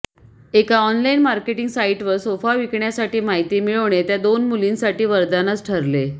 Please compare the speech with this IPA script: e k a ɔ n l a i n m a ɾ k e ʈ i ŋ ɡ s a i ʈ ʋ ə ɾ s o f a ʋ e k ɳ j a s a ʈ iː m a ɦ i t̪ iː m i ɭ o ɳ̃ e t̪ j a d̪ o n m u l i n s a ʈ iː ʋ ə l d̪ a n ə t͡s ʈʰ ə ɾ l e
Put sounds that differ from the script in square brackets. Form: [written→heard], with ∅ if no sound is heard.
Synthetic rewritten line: e k a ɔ n l a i n m a ɾ k e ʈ i ŋ ɡ s a i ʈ ʋ ə ɾ s o f a ʋ [e→i] k ɳ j a s a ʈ iː m a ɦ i t̪ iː m i ɭ o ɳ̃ e t̪ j a d̪ o n m u l i n s a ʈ iː ʋ ə [l→ɾ] d̪ a n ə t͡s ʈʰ ə ɾ l e